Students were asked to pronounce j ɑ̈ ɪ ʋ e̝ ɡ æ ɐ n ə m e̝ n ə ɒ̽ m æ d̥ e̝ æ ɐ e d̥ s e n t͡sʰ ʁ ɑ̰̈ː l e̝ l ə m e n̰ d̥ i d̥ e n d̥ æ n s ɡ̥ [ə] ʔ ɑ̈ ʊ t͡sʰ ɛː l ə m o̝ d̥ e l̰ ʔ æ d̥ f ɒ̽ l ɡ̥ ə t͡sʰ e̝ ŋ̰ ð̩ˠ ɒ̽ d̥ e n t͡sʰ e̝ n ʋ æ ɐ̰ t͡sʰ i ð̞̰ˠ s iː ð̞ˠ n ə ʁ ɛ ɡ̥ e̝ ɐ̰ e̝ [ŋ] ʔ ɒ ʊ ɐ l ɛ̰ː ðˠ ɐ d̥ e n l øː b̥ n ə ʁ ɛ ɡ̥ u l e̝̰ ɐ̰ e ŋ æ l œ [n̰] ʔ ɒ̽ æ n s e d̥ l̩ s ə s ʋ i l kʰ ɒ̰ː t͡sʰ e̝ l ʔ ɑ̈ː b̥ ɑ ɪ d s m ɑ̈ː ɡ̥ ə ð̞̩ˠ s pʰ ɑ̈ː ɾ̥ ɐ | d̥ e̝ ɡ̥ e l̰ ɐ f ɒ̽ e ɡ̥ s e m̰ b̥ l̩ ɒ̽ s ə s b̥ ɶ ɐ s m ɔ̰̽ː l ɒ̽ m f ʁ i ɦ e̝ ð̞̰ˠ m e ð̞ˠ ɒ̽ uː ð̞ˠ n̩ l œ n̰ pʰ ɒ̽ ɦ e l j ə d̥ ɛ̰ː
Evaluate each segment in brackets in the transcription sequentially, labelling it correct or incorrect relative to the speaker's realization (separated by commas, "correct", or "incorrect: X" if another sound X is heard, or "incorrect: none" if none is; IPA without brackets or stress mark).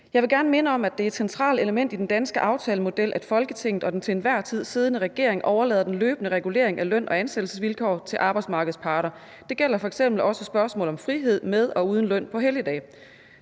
correct, correct, correct